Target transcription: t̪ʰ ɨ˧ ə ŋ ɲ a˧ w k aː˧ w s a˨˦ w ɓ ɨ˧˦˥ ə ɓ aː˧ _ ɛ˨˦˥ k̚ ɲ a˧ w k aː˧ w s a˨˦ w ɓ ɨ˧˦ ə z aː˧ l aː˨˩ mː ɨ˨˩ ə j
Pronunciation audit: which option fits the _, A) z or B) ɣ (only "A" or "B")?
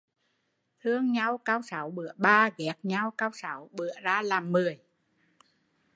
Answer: B